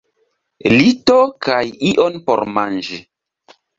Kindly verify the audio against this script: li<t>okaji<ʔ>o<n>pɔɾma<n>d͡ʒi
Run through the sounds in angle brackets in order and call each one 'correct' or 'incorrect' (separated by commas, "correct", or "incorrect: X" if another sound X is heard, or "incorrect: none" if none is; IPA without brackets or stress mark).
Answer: correct, correct, correct, correct